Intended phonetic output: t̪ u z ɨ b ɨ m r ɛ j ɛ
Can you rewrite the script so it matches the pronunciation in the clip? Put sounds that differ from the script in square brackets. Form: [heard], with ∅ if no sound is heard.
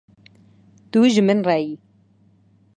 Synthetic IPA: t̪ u [ʒ] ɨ [m] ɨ [n] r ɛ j [i]